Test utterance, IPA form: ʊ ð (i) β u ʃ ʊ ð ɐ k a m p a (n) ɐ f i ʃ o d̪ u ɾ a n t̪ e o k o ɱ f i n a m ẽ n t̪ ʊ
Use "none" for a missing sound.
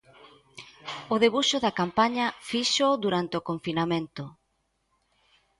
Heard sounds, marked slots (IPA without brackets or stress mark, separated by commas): e, ɲ